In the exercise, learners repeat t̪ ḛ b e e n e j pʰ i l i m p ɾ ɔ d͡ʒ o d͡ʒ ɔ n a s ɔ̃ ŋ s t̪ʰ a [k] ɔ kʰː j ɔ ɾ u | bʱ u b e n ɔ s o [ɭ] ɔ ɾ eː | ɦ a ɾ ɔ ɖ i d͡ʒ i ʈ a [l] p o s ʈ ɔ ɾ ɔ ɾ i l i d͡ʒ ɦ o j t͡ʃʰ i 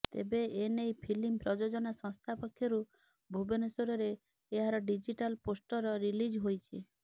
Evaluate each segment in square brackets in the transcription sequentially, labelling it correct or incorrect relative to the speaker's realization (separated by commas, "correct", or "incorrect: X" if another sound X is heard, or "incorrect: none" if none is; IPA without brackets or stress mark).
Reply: incorrect: p, incorrect: ɾ, correct